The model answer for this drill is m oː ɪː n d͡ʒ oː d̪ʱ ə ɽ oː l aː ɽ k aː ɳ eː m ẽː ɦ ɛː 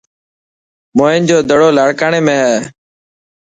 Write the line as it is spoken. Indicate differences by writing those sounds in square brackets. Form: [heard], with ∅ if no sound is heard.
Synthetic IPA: m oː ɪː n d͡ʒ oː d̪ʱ ə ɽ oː l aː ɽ k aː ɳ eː m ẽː ɦ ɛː